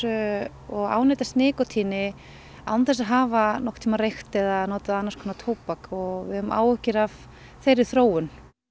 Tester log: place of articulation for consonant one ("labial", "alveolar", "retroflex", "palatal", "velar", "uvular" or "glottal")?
velar